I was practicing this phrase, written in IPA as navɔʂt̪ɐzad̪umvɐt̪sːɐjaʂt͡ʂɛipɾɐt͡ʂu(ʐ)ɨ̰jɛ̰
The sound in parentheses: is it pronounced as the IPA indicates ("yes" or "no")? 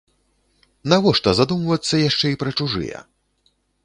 yes